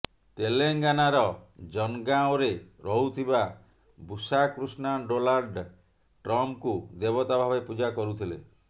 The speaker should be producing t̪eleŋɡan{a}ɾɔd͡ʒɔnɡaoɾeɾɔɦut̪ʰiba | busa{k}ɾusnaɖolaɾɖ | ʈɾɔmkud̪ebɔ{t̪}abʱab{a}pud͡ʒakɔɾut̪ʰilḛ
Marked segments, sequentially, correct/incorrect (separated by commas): correct, correct, correct, incorrect